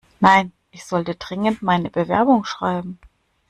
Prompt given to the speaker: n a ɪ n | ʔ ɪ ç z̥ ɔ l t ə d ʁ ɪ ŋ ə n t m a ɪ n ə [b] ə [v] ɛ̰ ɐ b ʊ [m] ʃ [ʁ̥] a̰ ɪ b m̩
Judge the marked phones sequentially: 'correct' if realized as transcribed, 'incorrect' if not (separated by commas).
correct, correct, incorrect, correct